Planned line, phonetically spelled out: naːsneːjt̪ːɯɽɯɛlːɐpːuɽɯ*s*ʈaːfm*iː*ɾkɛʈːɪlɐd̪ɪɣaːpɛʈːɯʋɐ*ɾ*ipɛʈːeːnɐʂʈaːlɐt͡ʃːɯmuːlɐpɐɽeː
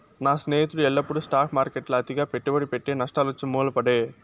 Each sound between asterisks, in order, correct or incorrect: correct, incorrect, incorrect

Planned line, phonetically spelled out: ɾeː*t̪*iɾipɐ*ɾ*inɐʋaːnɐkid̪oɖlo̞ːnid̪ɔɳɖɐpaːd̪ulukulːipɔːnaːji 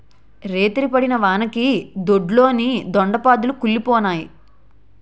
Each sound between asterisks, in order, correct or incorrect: correct, incorrect

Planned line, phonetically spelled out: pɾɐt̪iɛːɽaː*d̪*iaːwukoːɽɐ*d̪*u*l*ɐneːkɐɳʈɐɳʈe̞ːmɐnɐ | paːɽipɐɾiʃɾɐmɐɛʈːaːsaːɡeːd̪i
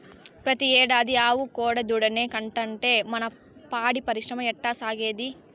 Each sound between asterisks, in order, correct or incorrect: correct, correct, incorrect

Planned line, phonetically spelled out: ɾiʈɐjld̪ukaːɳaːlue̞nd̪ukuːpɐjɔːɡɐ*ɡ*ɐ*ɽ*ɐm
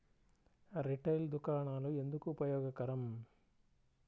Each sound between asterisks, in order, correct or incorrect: incorrect, incorrect

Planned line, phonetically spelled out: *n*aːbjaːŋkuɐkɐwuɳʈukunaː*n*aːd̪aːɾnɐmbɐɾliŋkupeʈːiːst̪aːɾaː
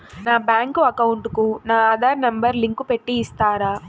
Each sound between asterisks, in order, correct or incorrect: correct, incorrect

